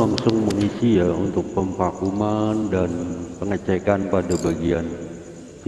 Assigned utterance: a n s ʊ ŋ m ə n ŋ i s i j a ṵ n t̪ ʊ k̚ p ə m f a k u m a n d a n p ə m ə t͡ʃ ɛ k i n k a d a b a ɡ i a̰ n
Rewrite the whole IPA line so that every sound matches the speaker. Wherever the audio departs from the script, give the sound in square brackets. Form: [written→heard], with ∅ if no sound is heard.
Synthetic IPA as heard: a [n→ŋ] s ʊ ŋ m ə [n→∅] ŋ i s i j a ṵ n t̪ ʊ k̚ p ə m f a k u m a n d a n p ə [m→ŋ] ə t͡ʃ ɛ k [i→a] n [k→p] a d a b a ɡ i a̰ n